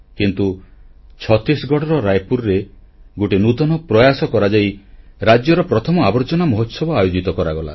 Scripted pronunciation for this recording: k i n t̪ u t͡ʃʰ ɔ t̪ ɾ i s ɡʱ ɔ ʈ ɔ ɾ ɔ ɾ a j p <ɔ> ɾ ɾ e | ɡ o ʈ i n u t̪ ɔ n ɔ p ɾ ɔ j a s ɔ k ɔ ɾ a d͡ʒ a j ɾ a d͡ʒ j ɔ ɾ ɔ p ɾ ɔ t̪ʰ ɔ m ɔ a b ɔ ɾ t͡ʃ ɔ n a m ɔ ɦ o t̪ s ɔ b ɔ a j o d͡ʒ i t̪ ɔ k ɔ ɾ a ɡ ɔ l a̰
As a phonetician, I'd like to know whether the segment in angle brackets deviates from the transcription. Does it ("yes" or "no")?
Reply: yes